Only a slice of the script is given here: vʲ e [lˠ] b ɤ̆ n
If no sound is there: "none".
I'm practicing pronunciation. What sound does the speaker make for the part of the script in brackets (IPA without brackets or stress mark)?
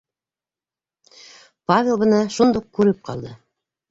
lˠ